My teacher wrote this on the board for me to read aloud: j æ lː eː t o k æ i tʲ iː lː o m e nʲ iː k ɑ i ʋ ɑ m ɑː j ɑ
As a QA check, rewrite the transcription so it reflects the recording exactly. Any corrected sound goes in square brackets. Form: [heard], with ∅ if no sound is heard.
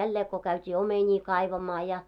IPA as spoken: j æ lː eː [k] o k æ [y] tʲ iː [∅] o m e nʲ iː k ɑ i ʋ ɑ m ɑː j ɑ